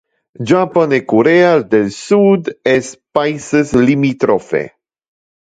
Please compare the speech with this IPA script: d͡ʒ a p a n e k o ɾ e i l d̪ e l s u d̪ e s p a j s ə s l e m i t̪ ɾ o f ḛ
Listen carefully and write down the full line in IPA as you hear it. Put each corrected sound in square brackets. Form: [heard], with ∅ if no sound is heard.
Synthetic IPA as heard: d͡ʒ a p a n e k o ɾ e [a] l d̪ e l s u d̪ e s p a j s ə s l [i] m i t̪ ɾ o f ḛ